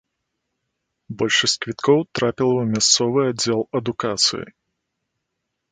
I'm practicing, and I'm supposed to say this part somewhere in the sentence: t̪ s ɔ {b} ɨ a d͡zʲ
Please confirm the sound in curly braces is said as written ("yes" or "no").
no